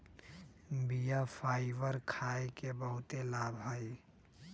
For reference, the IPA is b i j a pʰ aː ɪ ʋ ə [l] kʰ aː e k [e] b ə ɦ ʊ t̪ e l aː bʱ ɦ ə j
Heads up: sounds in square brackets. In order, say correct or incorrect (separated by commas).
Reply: incorrect, correct